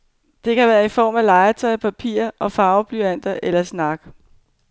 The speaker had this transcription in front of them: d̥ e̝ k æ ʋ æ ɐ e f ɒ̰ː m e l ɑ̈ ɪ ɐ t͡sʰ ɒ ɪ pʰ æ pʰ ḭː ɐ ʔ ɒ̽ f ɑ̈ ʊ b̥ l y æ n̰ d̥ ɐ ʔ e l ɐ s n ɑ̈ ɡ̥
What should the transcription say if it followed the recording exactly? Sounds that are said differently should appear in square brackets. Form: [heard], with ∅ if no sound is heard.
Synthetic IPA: d̥ e̝ k æ ʋ [æː] ɐ [i] f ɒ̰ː m [æ] l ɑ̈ ɪ ɐ t͡sʰ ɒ ɪ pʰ æ pʰ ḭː ɐ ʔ ɒ̽ f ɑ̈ ʊ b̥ l y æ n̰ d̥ ɐ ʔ e l ɐ s n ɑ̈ ɡ̥